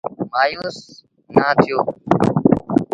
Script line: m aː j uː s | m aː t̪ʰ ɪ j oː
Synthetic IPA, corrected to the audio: m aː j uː s | n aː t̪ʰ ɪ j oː